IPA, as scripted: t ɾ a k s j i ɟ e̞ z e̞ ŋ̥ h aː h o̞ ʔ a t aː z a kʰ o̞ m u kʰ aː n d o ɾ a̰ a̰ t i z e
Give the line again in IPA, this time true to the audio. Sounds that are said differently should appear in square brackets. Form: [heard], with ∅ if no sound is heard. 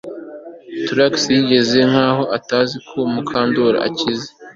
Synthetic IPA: t ɾ a k s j i ɟ e̞ z e̞ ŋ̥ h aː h o̞ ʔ a t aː z [i] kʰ o̞ m u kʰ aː n d o ɾ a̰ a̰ [c] i z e